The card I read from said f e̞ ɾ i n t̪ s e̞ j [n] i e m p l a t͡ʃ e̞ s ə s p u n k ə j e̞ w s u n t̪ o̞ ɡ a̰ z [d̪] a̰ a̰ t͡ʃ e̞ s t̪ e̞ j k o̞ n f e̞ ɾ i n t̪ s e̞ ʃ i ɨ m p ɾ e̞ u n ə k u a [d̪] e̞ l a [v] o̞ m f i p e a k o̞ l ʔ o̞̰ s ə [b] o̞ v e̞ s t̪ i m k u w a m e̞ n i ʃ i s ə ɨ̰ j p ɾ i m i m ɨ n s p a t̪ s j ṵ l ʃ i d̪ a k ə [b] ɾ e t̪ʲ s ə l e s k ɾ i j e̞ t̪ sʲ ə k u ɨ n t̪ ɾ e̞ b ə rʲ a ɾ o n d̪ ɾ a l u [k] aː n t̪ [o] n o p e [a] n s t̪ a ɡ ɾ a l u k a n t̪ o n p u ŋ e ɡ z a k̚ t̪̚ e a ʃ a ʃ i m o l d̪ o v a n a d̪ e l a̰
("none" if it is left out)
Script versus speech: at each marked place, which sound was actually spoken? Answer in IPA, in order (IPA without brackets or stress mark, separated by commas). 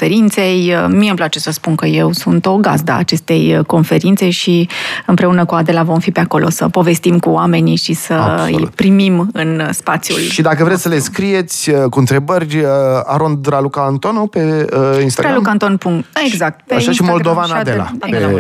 m, d̪, d̪, v, p, v, k, o, i